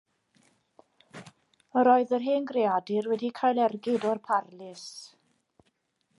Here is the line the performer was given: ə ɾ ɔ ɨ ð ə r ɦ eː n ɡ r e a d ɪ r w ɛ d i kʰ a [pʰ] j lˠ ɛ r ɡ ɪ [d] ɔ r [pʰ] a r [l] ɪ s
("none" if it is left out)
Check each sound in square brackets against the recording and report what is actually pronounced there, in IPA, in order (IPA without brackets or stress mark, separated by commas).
none, d, pʰ, l